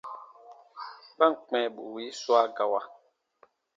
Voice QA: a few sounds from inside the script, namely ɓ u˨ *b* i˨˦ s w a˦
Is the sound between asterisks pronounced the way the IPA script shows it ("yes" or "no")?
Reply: no